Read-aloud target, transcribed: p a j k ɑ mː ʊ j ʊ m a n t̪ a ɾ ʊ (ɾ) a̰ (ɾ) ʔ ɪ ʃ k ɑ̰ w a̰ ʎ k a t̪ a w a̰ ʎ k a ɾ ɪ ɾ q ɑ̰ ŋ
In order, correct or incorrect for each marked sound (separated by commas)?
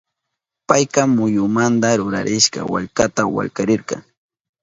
correct, correct